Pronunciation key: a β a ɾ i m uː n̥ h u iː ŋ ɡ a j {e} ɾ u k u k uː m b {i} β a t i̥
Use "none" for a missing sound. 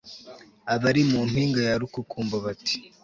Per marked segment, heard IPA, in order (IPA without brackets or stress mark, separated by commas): a, a